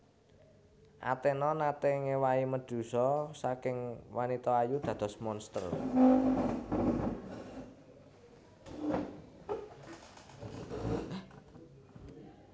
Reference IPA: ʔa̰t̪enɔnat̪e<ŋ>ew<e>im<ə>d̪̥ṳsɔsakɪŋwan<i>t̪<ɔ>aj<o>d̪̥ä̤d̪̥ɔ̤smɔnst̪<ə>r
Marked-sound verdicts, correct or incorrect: correct, incorrect, correct, correct, correct, incorrect, correct

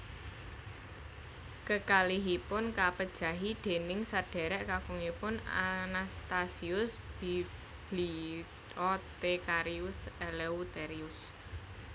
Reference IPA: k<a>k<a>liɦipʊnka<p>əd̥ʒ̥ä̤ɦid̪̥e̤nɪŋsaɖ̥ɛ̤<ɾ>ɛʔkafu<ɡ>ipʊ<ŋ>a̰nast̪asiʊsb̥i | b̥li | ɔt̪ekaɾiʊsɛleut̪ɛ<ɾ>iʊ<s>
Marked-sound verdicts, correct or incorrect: incorrect, correct, correct, correct, incorrect, incorrect, correct, correct

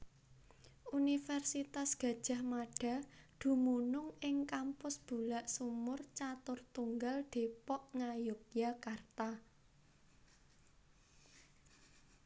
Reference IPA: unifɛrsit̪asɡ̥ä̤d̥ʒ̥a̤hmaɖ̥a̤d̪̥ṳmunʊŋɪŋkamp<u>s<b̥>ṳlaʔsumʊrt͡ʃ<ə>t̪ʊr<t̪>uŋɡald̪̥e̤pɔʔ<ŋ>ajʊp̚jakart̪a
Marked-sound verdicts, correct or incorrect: incorrect, correct, incorrect, correct, correct

